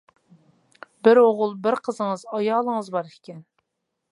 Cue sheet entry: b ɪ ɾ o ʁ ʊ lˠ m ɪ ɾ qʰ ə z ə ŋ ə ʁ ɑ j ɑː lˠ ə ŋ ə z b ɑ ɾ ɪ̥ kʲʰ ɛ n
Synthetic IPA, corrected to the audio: b ɪ ɾ o ʁ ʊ lˠ b ɪ ɾ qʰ ə z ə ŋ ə z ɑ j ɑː lˠ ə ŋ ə z b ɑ ɾ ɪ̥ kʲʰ ɛ n